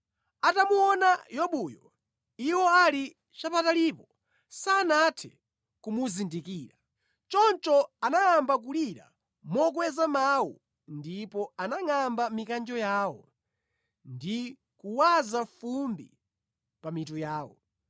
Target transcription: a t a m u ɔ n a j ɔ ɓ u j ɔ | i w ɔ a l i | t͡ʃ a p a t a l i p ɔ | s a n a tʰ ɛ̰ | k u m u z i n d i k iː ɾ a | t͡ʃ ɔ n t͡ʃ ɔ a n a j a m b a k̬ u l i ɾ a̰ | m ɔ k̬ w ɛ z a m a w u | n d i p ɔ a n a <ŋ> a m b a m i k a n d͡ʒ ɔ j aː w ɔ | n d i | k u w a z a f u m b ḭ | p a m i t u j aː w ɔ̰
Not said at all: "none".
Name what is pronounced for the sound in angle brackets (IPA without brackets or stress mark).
ŋ